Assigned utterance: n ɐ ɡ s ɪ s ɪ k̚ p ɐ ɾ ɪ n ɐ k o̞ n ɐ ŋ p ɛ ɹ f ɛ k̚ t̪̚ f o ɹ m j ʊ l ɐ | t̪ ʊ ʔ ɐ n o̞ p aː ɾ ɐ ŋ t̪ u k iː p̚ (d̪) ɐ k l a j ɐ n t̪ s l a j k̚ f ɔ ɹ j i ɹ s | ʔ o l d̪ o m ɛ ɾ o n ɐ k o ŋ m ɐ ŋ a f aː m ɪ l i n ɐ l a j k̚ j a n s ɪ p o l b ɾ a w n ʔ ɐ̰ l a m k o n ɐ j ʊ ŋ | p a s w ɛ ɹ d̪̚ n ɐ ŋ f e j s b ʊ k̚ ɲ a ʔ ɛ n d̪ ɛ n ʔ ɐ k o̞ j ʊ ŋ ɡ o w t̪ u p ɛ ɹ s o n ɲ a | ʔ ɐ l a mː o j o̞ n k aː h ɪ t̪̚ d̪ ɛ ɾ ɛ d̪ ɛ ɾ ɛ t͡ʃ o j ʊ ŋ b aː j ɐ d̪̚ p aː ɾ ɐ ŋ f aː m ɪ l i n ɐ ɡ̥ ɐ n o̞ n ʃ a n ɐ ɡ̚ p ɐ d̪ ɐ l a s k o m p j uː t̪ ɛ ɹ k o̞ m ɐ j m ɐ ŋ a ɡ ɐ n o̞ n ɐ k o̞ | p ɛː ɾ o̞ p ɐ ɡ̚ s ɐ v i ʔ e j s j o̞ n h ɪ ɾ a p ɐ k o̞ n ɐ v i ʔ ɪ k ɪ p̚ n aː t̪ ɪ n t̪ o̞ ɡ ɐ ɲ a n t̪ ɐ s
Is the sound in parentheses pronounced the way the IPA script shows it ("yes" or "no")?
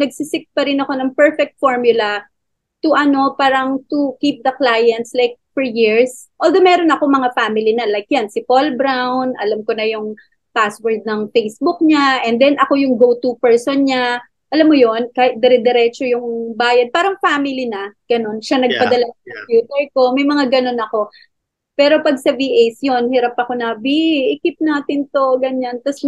yes